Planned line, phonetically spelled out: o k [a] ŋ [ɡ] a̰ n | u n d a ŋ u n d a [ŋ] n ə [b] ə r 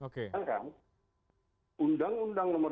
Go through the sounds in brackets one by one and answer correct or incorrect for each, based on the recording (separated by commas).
incorrect, incorrect, correct, incorrect